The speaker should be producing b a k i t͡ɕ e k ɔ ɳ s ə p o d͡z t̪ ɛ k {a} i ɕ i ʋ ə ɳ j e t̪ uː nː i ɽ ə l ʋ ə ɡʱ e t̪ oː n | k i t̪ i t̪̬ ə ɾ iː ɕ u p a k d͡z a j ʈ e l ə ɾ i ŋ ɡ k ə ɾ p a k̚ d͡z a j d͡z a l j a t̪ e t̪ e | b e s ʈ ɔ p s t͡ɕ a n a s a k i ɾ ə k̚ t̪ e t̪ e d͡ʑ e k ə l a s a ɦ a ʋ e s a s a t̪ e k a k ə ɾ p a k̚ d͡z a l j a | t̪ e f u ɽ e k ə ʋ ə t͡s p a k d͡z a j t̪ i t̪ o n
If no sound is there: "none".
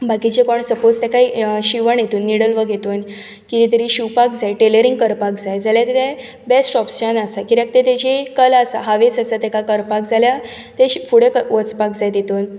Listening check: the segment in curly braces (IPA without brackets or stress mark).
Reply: a